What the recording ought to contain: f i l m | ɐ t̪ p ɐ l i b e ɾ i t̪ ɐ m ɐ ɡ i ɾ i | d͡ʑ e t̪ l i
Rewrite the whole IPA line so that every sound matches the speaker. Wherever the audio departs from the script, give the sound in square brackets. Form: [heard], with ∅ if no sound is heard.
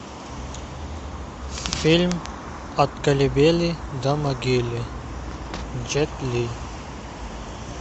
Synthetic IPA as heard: f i l m | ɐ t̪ [k] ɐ l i b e [l] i [d̪] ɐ m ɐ ɡ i [l] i | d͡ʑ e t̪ l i